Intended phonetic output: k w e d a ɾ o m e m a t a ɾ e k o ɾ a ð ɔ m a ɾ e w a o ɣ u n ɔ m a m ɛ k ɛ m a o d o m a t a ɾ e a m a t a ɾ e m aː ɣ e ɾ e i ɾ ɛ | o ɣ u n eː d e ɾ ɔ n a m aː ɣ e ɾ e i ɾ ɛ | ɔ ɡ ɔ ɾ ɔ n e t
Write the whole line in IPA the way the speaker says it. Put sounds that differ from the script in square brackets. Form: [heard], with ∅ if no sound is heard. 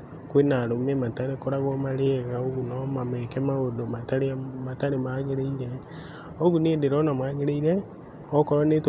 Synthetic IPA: k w e [n] a ɾ o m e m a t a ɾ e k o ɾ a [ɣ] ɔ m a ɾ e [ɣ] a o ɣ u n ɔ m a m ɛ k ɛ m a o d o m a t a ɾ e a m a t a ɾ e m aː ɣ e ɾ e i ɾ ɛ | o ɣ u n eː d e ɾ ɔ n a m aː ɣ e ɾ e i ɾ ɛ | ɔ [k] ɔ ɾ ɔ n e t